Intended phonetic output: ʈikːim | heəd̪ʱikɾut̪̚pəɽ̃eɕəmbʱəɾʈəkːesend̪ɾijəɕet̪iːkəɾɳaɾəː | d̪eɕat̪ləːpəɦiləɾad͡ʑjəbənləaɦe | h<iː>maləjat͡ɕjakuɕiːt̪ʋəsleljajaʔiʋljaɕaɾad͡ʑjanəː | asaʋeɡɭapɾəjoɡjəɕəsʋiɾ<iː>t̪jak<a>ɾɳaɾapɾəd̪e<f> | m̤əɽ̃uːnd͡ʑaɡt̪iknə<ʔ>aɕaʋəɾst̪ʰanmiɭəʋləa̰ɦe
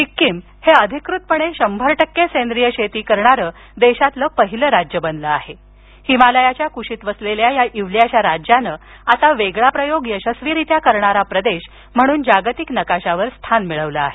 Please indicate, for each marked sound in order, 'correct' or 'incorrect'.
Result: incorrect, incorrect, incorrect, incorrect, incorrect

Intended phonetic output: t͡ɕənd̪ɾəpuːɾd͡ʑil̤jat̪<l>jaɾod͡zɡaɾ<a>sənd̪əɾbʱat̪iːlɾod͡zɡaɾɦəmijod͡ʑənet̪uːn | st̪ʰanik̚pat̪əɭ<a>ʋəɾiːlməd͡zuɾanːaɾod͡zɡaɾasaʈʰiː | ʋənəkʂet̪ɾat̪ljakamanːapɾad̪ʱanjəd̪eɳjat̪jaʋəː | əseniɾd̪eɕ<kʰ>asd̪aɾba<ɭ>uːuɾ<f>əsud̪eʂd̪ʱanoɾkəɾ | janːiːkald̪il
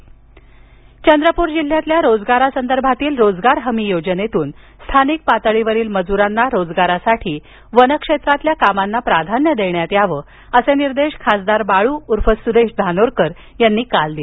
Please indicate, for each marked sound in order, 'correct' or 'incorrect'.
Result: correct, correct, incorrect, correct, correct, correct

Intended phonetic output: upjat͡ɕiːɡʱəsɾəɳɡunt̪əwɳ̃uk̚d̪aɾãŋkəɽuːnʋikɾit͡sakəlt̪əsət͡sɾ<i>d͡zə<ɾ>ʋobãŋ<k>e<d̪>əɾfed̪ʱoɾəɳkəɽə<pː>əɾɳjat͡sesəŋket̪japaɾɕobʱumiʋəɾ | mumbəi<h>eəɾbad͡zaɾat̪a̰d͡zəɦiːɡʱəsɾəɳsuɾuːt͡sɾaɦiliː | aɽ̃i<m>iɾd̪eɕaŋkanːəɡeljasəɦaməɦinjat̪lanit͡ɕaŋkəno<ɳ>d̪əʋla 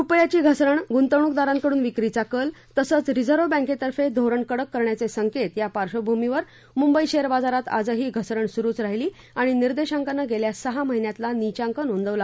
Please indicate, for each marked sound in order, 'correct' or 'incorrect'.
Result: correct, correct, correct, incorrect, incorrect, incorrect, incorrect, incorrect

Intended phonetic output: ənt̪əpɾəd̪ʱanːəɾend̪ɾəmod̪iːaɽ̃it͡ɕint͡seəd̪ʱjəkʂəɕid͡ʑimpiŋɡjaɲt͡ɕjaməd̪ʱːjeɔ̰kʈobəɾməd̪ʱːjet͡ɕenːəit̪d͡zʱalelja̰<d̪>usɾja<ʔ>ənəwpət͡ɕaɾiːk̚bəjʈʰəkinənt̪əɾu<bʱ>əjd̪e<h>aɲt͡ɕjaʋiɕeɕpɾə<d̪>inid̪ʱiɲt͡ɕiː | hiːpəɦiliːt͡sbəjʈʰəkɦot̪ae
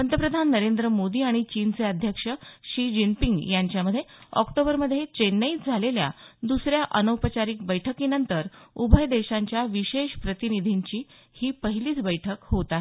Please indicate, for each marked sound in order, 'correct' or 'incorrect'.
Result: correct, correct, correct, incorrect, incorrect

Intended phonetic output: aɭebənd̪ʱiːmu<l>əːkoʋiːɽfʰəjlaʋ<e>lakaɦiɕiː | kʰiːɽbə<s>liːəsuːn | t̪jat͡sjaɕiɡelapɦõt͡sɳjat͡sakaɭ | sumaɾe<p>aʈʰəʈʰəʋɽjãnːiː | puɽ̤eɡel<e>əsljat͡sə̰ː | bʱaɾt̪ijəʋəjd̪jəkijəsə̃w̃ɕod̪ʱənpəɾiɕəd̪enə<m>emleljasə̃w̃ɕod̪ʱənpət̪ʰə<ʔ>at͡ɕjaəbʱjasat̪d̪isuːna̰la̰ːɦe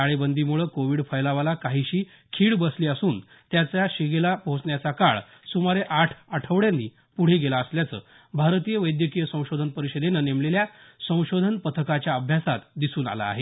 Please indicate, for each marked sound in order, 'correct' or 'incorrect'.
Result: incorrect, incorrect, correct, incorrect, incorrect, incorrect, incorrect

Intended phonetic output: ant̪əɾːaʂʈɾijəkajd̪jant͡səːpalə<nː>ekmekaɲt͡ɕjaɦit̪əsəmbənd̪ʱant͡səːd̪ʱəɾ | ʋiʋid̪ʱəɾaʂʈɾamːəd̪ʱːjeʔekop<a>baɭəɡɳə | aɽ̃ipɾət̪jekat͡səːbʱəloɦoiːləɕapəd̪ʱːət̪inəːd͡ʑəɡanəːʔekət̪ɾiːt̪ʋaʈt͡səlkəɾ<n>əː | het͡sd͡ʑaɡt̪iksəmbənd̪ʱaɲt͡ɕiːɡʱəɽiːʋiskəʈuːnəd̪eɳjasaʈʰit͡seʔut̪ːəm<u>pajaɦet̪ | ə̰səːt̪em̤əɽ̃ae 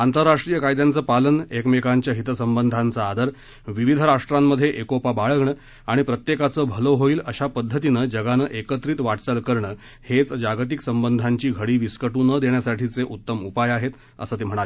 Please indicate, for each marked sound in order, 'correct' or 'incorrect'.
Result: incorrect, correct, incorrect, correct

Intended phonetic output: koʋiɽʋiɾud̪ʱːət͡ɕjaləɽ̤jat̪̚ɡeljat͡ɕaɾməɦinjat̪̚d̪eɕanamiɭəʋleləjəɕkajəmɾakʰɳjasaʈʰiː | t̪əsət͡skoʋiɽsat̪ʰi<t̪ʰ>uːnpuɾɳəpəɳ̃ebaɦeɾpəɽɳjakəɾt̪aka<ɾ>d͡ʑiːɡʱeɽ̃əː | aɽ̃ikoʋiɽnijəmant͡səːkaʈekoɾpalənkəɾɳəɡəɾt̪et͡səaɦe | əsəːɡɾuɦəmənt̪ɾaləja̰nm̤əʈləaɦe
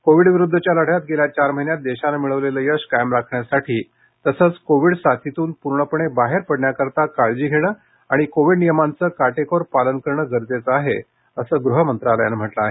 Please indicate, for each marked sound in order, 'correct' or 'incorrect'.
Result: incorrect, incorrect

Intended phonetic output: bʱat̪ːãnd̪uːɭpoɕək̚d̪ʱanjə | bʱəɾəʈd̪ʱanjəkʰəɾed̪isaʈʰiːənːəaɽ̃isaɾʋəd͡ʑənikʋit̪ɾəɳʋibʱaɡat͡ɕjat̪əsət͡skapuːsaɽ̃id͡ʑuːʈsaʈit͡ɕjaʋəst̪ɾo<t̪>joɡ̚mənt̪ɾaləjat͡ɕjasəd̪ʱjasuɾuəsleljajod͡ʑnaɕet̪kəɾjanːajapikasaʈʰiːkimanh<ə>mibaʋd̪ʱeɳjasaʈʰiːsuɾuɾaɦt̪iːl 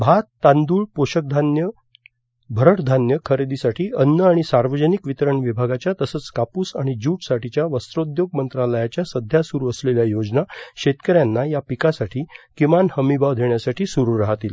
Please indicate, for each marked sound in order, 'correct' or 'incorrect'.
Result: incorrect, correct

